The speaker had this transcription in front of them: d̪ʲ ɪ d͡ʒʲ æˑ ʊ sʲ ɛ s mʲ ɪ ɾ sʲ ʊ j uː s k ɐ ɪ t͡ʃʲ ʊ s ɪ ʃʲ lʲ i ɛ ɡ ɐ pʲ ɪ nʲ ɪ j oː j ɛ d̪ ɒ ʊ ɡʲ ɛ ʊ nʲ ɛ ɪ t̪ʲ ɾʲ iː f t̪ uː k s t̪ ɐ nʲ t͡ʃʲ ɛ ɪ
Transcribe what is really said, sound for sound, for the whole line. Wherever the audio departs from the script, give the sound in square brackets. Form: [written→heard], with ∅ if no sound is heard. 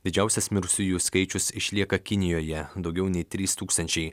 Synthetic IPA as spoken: d̪ʲ ɪ d͡ʒʲ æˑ ʊ sʲ ɛ s mʲ ɪ ɾ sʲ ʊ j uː s k ɐ ɪ t͡ʃʲ ʊ s ɪ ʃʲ lʲ i ɛ [ɡ→k] ɐ [pʲ→kʲ] ɪ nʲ ɪ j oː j ɛ d̪ ɒ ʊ ɡʲ ɛ ʊ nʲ ɛ ɪ t̪ʲ ɾʲ iː [f→s] t̪ uː k s t̪ ɐ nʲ t͡ʃʲ ɛ ɪ

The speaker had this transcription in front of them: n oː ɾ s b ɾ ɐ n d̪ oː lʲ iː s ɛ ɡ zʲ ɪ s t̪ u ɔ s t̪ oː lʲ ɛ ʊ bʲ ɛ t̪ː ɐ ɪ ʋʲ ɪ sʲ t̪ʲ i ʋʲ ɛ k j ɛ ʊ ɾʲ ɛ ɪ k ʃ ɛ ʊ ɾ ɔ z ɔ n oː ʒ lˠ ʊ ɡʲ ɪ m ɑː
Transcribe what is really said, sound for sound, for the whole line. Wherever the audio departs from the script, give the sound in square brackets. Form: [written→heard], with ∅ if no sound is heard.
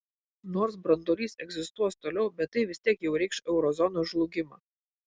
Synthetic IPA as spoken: n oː ɾ s b ɾ ɐ n d̪ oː lʲ iː s ɛ ɡ zʲ ɪ s t̪ u ɔ s t̪ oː lʲ ɛ ʊ bʲ ɛ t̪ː ɐ ɪ ʋʲ ɪ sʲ t̪ʲ i [ʋʲ→∅] ɛ k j ɛ ʊ ɾʲ ɛ ɪ k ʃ ɛ ʊ ɾ ɔ z ɔ n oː ʒ lˠ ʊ ɡʲ ɪ m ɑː

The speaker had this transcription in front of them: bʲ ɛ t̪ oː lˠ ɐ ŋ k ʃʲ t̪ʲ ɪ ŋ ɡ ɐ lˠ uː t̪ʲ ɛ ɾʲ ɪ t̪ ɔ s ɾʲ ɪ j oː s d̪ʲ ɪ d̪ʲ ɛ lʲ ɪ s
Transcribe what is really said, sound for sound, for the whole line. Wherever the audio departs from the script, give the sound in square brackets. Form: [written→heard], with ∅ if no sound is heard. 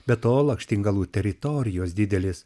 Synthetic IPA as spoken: bʲ ɛ t̪ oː lˠ ɐ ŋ k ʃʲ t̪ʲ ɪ ŋ ɡ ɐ lˠ uː t̪ʲ ɛ ɾʲ ɪ t̪ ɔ [s→∅] ɾʲ ɪ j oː s d̪ʲ ɪ d̪ʲ ɛ lʲ ɪ s

